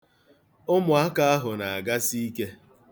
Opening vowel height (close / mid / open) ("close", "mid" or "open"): close